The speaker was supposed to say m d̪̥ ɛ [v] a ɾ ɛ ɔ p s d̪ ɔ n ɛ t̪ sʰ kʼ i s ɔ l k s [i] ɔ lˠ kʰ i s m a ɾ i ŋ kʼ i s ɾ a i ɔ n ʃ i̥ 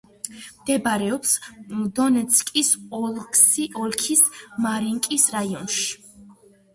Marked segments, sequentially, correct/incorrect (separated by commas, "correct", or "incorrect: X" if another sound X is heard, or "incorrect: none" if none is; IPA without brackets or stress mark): incorrect: b, correct